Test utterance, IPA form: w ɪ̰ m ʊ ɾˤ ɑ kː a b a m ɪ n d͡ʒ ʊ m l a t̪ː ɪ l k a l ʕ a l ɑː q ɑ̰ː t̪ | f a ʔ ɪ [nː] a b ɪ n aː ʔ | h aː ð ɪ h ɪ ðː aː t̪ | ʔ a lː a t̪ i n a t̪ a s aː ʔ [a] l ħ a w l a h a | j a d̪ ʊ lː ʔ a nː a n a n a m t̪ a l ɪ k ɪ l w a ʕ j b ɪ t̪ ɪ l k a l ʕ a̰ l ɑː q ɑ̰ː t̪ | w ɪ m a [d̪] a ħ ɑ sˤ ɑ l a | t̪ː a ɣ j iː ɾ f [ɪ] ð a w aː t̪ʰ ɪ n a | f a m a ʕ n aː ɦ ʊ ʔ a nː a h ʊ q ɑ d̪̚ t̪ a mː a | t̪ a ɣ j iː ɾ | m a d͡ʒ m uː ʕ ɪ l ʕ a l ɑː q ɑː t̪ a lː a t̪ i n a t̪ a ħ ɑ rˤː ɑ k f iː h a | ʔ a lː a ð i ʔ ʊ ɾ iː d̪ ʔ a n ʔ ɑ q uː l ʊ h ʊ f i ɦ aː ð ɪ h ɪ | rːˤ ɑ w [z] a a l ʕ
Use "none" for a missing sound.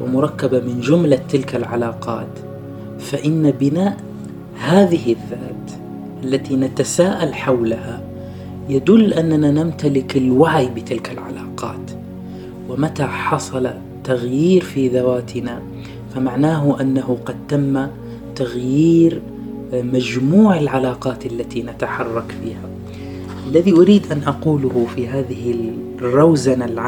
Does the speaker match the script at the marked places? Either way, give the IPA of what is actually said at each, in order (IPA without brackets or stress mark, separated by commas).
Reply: nː, a, t̪, i, z